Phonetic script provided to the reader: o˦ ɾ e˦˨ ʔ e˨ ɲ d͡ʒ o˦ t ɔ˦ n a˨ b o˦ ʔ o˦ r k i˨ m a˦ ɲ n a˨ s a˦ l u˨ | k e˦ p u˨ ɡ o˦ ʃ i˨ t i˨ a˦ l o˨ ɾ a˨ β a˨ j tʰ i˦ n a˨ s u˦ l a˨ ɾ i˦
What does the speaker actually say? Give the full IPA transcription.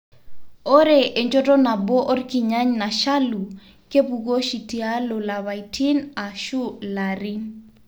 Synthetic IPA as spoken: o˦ ɾ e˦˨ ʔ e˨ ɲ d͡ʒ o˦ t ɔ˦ n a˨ b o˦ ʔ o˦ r k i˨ ɲ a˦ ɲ n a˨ ʃ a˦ l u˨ | k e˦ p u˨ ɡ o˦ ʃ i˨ t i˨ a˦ l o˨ l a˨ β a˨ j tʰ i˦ n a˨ ʃ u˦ l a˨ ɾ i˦